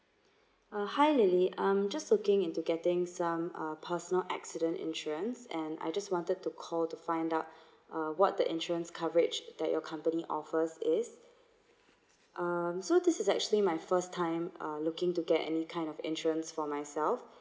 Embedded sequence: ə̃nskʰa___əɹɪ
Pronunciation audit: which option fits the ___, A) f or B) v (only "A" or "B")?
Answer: B